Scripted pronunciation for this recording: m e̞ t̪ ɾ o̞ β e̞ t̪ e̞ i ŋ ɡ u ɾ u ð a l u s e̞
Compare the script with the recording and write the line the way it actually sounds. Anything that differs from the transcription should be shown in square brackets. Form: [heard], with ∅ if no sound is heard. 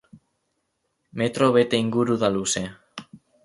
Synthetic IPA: m e̞ t̪ ɾ o̞ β e̞ t̪ e̞ i ŋ ɡ u ɾ u ð a l u s e̞